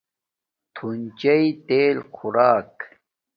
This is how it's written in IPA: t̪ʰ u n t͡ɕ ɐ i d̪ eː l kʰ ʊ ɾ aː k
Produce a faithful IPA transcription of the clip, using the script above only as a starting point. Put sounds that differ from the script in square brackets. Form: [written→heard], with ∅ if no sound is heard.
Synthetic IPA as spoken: t̪ʰ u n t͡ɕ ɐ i [d̪→t̪] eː l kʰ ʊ ɾ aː k